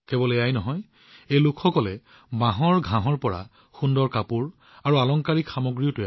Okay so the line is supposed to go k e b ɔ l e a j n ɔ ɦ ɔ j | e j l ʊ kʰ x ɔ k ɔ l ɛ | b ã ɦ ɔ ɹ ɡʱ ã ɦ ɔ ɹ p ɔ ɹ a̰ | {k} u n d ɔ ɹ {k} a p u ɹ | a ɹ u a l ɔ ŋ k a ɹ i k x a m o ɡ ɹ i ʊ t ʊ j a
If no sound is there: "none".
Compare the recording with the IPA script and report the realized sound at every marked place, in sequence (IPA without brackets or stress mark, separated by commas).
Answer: x, k